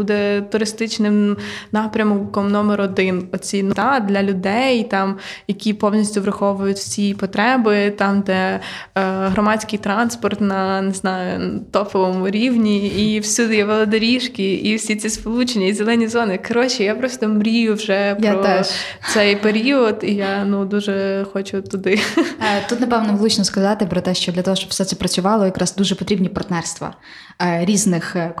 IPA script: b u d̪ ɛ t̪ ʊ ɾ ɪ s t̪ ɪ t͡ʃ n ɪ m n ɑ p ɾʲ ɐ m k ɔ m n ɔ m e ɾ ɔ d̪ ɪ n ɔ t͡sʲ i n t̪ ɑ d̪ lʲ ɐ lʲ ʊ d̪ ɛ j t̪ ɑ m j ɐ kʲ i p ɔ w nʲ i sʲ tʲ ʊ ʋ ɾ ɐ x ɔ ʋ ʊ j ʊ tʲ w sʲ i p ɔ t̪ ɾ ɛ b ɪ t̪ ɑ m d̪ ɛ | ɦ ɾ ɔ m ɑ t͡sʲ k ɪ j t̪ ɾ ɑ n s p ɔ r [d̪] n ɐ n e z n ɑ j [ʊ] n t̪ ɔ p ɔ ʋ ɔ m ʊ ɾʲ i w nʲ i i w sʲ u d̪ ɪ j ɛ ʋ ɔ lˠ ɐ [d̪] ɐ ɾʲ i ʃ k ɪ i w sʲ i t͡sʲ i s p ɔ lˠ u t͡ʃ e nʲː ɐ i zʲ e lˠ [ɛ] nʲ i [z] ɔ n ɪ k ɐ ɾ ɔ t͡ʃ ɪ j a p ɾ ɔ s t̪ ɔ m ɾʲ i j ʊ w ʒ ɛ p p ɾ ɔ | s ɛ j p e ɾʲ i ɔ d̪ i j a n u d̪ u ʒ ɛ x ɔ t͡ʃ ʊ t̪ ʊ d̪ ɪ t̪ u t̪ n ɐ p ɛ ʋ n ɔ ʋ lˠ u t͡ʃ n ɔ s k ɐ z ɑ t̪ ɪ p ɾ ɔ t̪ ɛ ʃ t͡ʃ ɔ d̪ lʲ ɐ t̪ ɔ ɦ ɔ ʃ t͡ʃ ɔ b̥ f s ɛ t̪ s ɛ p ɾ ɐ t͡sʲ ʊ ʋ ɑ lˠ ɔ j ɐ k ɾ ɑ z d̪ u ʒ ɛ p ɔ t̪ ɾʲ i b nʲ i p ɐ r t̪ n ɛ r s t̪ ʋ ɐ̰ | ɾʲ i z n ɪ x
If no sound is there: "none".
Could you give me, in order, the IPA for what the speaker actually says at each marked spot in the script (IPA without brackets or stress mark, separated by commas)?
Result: t̪, ʊ, d̪, ɛ, z